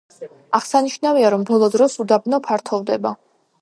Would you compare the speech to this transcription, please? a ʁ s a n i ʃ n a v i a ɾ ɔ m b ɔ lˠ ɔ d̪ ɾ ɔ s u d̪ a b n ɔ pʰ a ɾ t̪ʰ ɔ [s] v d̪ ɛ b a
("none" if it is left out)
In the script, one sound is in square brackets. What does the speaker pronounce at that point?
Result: none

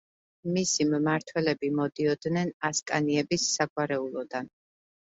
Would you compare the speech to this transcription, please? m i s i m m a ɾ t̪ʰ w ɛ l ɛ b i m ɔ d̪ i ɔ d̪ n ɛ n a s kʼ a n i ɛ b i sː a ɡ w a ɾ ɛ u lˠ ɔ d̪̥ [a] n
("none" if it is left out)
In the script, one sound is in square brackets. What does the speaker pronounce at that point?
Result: a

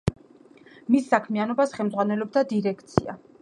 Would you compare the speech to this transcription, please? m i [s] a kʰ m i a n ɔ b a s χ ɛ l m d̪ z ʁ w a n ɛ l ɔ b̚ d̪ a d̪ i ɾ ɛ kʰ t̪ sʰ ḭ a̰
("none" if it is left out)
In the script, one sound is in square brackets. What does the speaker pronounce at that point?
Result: sː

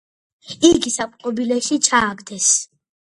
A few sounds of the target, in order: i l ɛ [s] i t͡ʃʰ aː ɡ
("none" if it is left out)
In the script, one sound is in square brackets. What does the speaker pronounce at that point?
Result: ʃ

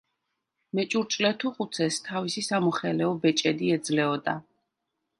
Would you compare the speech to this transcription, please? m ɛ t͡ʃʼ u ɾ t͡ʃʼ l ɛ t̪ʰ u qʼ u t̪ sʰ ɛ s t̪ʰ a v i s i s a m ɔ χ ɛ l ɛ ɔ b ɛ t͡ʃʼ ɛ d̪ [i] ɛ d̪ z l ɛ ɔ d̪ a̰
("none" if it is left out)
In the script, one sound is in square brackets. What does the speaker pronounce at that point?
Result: i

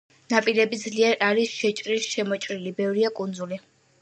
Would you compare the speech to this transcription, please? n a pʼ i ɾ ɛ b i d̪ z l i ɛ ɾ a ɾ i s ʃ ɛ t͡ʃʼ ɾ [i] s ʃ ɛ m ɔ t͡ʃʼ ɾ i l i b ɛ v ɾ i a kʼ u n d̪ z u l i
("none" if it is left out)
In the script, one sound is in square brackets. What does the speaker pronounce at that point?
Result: i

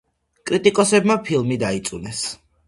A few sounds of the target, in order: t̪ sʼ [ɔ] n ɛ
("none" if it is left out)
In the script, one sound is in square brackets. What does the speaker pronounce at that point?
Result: u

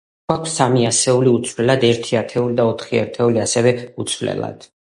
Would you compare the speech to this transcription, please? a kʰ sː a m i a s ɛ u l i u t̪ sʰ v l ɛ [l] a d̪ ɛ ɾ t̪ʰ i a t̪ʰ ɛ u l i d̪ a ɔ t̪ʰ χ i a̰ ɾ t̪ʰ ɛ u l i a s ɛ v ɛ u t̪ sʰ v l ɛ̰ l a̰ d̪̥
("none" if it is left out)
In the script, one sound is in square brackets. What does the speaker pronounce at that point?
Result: l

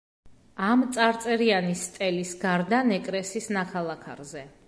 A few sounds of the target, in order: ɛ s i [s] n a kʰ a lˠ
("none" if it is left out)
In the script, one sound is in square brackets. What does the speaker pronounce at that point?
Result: s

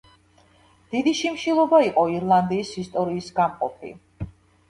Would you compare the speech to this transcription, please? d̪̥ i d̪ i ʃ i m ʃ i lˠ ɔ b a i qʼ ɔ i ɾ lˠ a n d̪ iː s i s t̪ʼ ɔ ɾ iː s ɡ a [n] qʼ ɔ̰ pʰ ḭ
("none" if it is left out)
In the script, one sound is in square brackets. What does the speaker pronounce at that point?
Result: m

